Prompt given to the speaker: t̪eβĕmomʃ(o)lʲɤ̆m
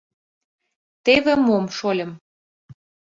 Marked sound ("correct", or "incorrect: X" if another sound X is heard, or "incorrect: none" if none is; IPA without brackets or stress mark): correct